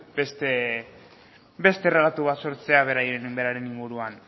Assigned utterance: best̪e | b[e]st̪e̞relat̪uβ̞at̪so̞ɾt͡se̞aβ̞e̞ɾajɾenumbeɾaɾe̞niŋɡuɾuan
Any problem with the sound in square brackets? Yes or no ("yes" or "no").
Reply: no